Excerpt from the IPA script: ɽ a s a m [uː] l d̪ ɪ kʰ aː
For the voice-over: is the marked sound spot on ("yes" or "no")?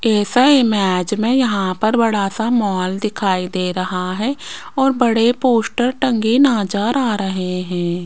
no